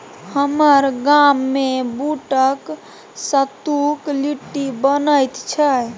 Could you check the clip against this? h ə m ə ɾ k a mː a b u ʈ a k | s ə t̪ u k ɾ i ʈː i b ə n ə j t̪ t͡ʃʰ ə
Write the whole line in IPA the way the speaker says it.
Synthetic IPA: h ə m ə ɾ ɡ a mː e b u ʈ ə k | s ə t̪ u k l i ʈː i b ə n ə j t̪ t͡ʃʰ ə

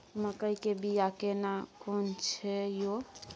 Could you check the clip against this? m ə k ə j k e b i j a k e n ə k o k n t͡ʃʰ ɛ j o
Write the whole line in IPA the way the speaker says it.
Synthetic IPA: m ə k ə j k e b i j a k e n a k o n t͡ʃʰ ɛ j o

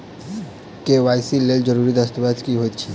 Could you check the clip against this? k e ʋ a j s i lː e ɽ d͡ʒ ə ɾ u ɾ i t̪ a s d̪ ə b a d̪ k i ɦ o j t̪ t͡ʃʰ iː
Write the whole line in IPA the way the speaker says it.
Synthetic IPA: k e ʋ a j s i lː e l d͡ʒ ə ɾ u ɾ i d̪ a s t̪ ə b a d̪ k i ɦ o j t̪ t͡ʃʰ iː

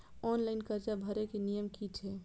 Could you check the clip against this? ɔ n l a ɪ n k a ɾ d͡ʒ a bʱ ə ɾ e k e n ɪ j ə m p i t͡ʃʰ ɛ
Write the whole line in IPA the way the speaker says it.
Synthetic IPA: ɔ n l a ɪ n k ə ɾ d͡ʒ a bʱ ə ɾ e k e n i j ə m k i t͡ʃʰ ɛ

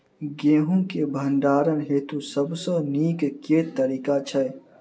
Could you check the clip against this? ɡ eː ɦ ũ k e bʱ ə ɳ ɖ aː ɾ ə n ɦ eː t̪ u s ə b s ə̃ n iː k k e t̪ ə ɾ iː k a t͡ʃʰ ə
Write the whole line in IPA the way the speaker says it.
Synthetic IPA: ɡ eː ɦ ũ k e bʱ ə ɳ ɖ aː ɾ ə n ɦ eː t̪ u s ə b s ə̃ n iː k k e t̪ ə ɾ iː k a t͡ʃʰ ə

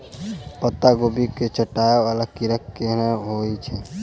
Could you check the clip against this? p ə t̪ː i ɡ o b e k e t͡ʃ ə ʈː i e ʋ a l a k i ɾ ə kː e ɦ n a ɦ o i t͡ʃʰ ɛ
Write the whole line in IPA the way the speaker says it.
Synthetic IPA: p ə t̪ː a ɡ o b i k e t͡ʃ ə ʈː a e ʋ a l a k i ɾ ə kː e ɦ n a ɦ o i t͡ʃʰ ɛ

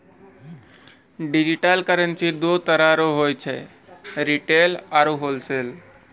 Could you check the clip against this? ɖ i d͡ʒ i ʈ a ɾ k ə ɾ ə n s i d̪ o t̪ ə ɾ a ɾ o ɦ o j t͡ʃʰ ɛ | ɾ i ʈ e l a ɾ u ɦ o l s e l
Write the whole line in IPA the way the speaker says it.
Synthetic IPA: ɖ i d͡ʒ i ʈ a l k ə ɾ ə n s i d̪ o t̪ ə ɾ a ɾ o ɦ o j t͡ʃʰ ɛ | ɾ i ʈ e l a ɾ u ɦ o l s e l

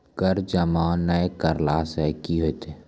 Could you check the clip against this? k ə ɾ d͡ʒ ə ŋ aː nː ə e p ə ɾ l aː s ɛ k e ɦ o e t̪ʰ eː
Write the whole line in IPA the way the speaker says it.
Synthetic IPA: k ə ɾ d͡ʒ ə m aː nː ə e k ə ɾ l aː s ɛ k i ɦ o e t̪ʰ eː

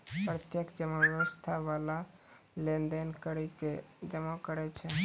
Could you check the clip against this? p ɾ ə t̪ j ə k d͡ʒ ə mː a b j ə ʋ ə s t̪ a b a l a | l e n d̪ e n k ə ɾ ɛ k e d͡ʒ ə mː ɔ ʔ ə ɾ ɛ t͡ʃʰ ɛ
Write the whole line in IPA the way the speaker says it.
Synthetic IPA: p ɾ ə t̪ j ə k d͡ʒ ə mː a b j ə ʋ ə s t̪ʰ a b a l a | l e n d̪ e n k ə ɾ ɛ k e d͡ʒ ə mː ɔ k ə ɾ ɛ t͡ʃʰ ɛ

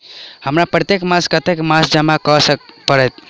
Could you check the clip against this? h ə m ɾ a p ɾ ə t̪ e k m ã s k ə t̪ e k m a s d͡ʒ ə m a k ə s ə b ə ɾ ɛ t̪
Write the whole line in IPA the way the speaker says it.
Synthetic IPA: h ə m ɾ a p ɾ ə t̪ e k m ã s k ə t̪ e k m a s d͡ʒ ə m a k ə s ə p ə ɾ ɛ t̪

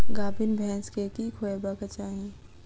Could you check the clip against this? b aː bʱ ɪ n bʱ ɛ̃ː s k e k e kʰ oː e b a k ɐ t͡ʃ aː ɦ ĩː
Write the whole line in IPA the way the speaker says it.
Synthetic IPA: ɡ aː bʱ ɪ n bʱ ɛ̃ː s k e k i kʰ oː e b a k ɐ t͡ʃ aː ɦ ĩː

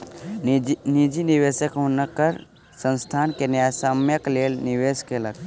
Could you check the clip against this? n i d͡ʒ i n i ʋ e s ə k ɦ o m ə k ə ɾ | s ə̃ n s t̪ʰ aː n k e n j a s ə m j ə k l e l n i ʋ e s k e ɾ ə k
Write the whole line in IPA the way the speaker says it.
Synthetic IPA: n i d͡ʒ i n i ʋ e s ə k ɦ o n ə k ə ɾ | s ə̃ n s t̪ʰ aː n k e n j a s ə m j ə k l e l n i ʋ e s k e l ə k

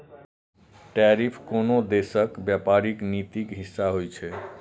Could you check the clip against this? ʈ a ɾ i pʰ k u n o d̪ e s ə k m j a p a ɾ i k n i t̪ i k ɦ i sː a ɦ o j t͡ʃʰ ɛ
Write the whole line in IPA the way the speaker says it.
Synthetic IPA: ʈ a ɾ i pʰ k o n o d̪ e s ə k b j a p a ɾ i k n i t̪ i k ɦ i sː a ɦ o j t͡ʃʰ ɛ

